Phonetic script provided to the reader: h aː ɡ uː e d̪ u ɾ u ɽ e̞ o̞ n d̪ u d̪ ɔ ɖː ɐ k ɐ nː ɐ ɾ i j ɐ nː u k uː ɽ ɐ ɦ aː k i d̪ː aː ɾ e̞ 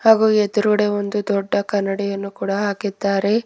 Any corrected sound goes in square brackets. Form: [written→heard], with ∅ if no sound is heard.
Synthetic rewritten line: h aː ɡ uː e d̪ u ɾ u ɽ e̞ o̞ n d̪ u d̪ ɔ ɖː ɐ k ɐ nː ɐ [ɾ→ɽ] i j ɐ nː u k uː ɽ ɐ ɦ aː k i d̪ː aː ɾ e̞